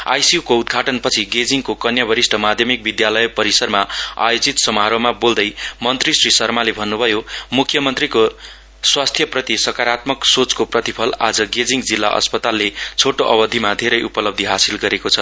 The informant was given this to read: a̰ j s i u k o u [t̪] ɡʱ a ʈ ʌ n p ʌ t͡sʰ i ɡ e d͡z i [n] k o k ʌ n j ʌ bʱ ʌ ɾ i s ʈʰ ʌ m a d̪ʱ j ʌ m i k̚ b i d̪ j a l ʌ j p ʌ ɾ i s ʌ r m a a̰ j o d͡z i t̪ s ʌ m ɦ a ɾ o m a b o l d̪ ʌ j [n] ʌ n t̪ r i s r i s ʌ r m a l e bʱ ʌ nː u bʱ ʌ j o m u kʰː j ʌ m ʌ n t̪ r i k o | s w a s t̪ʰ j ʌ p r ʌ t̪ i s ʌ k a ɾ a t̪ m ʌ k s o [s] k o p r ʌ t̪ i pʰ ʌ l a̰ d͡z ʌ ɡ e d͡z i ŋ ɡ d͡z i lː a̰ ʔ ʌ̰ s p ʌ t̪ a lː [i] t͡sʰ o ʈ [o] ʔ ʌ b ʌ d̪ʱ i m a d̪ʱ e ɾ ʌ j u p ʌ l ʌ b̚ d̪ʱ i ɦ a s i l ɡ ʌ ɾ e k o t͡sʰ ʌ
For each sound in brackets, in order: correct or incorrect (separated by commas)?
incorrect, incorrect, incorrect, incorrect, incorrect, correct